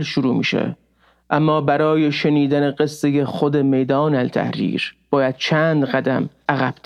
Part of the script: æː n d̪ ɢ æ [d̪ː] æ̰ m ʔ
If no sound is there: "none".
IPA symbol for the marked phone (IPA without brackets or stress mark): d̪